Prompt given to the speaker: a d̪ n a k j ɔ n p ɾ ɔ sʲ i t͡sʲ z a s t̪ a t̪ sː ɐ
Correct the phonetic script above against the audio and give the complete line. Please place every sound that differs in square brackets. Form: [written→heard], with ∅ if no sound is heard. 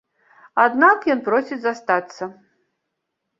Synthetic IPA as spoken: a d̪ n a k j ɔ n p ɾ ɔ sʲ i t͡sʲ z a s t̪ a t̪ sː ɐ

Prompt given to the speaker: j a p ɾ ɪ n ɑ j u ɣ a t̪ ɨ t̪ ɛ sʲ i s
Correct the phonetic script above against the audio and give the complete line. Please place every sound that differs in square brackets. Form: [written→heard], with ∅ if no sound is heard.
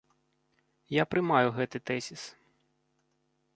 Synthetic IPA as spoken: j a p ɾ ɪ [n→m] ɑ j [u→ʊ] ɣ [a→ɛ] t̪ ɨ t̪ ɛ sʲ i s

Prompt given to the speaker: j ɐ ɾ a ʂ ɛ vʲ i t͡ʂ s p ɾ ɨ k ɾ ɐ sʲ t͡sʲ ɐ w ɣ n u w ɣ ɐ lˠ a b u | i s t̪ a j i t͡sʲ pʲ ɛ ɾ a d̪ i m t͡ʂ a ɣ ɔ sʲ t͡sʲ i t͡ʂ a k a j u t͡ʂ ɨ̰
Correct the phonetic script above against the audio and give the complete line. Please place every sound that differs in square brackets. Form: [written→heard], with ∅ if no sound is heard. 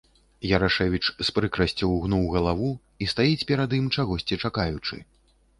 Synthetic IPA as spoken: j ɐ ɾ a ʂ ɛ vʲ i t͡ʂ s p ɾ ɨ k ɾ ɐ sʲ t͡sʲ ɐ w ɣ n u w ɣ ɐ lˠ a [b→v] u | i s t̪ a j i t͡sʲ pʲ ɛ ɾ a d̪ i m t͡ʂ a ɣ ɔ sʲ t͡sʲ i t͡ʂ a k a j u t͡ʂ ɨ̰

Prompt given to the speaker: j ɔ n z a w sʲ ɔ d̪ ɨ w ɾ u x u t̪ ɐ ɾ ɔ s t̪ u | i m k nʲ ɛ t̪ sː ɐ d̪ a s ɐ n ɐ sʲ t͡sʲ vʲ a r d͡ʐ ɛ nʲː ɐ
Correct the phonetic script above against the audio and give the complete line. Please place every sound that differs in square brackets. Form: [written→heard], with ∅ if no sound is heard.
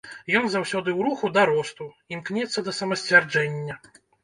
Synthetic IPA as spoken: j ɔ n z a w sʲ ɔ d̪ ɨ w ɾ u x u [t̪→d̪] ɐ ɾ ɔ s t̪ u | i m k nʲ ɛ t̪ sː ɐ d̪ [a→ɐ] s ɐ [n→m] ɐ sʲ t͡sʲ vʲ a r d͡ʐ ɛ nʲː ɐ

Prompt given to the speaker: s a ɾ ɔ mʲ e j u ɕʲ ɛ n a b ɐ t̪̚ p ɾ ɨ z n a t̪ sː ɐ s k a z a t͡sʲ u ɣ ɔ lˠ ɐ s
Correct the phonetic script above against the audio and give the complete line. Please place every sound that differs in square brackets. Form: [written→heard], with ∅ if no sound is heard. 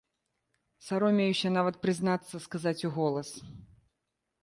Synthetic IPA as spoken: s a ɾ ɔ mʲ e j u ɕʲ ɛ n a [b→v] ɐ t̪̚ p ɾ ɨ z n a t̪ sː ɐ s k a z a t͡sʲ u ɣ ɔ lˠ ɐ s

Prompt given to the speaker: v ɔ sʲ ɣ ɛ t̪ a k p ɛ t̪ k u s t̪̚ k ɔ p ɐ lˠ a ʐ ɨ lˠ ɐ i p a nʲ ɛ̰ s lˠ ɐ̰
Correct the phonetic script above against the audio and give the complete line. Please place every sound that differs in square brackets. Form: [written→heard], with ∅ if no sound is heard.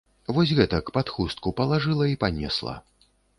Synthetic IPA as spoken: v ɔ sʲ ɣ ɛ t̪ [a→ɐ] k p [ɛ→a] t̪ [k→x] u s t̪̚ k [ɔ→u] p ɐ lˠ a ʐ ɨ lˠ ɐ i p a nʲ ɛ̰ s lˠ ɐ̰

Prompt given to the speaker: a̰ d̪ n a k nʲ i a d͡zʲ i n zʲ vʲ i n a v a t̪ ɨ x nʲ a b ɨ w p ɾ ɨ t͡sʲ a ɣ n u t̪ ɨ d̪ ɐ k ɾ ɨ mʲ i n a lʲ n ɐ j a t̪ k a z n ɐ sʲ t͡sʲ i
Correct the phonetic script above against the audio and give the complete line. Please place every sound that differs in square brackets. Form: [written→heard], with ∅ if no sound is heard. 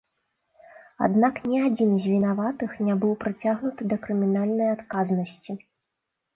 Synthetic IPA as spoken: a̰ d̪ n a k nʲ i a d͡zʲ i n zʲ vʲ i n a v a t̪ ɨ x nʲ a b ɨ w p ɾ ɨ t͡sʲ a ɣ n u t̪ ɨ d̪ ɐ k ɾ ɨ mʲ i n a lʲ n ɐ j a t̪ k a z n ɐ sʲ t͡sʲ i

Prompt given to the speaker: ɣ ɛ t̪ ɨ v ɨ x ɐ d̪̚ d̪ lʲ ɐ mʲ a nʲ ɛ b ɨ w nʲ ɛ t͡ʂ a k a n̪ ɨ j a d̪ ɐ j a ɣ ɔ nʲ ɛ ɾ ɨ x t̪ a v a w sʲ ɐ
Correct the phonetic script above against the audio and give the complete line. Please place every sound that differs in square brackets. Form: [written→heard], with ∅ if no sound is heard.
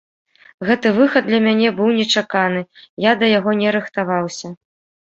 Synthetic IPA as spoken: ɣ ɛ t̪ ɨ v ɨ x ɐ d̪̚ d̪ lʲ ɐ mʲ a nʲ ɛ b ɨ w nʲ ɛ t͡ʂ a k a n̪ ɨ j a d̪ ɐ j a ɣ ɔ nʲ ɛ ɾ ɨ x t̪ a v a w sʲ ɐ

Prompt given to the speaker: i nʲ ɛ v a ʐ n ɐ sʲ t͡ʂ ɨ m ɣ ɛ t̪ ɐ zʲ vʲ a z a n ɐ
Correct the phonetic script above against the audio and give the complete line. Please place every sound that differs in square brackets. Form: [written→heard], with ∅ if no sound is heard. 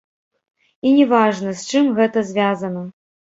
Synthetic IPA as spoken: i nʲ ɛ v a ʐ n ɐ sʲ t͡ʂ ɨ m ɣ ɛ t̪ ɐ zʲ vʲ a z [a→ɐ] n ɐ

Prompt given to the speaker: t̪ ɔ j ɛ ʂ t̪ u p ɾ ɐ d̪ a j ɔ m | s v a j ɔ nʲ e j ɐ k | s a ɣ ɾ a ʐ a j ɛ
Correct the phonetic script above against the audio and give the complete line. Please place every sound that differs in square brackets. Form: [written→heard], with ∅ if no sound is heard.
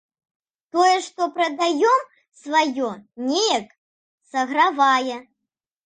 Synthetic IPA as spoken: t̪ ɔ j ɛ ʂ t̪ [u→ɔ] p ɾ ɐ d̪ a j ɔ m | s v a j ɔ nʲ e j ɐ k | s [a→ɐ] ɣ ɾ a [ʐ→v] a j ɛ

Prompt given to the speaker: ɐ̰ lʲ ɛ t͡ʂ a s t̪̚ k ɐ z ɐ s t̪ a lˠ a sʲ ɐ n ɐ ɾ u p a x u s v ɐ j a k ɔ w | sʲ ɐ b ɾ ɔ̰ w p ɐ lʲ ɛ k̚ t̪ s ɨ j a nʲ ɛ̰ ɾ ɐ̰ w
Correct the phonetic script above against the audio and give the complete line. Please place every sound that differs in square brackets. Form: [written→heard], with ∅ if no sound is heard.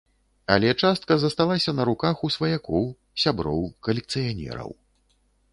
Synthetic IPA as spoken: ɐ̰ lʲ ɛ t͡ʂ a s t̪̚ k ɐ z ɐ s t̪ a lˠ a sʲ ɐ n ɐ ɾ u [p→k] a x u s v ɐ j a k ɔ w | sʲ [ɐ→a] b ɾ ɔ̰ w [p→k] ɐ lʲ ɛ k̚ t̪ s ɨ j a nʲ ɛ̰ ɾ ɐ̰ w

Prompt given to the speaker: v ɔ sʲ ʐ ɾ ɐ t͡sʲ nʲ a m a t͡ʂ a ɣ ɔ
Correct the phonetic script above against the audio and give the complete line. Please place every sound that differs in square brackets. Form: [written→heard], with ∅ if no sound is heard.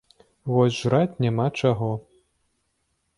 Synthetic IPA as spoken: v ɔ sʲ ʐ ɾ [ɐ→a] t͡sʲ nʲ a m a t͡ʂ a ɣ ɔ

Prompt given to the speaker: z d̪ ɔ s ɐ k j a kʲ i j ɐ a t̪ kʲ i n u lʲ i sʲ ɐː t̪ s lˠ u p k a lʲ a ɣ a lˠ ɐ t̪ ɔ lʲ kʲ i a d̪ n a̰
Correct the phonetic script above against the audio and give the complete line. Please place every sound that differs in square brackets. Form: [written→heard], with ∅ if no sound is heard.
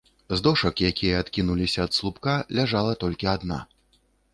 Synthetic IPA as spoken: z d̪ ɔ [s→ʂ] ɐ k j a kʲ i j ɐ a t̪ kʲ i n u lʲ i sʲ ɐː t̪ s lˠ u p k a lʲ a [ɣ→ʐ] a lˠ ɐ t̪ ɔ lʲ kʲ i a d̪ n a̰

